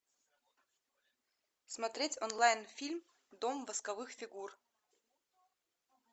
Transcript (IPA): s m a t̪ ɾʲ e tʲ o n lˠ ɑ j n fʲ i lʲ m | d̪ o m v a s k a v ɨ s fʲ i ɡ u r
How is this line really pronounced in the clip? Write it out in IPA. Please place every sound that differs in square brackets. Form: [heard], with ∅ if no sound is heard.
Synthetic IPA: s m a t̪ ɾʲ e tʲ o n lˠ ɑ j n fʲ i lʲ m | d̪ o m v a s k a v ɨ [x] fʲ i ɡ u r